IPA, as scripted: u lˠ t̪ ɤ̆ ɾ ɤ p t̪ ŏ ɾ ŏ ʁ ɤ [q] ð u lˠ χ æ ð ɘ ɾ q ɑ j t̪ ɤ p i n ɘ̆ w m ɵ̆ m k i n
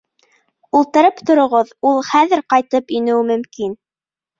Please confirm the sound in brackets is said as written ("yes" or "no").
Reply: no